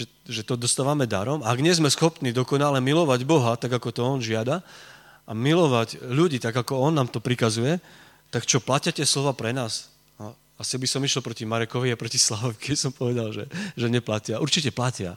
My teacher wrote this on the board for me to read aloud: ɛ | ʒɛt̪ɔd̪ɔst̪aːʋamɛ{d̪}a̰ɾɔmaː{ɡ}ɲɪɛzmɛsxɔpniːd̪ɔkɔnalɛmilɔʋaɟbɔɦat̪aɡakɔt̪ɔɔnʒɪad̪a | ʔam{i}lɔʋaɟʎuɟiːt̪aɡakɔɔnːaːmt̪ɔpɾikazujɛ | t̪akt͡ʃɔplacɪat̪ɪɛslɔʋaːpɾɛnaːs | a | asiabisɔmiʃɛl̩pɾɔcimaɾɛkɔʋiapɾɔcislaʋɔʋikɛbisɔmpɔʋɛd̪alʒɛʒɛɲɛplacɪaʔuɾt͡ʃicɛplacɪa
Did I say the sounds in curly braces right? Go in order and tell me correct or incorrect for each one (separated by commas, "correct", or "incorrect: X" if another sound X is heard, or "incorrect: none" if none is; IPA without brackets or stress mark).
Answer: correct, correct, correct